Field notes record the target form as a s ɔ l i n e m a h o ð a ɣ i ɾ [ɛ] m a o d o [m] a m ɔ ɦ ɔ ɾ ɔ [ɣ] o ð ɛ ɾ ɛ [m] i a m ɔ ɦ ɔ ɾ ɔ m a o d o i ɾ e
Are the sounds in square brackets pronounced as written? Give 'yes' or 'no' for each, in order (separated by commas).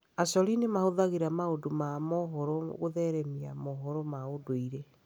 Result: no, yes, yes, yes